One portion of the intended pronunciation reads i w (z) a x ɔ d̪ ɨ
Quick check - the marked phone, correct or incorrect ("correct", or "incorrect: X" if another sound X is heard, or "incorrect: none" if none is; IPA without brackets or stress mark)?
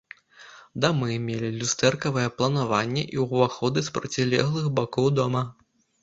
incorrect: v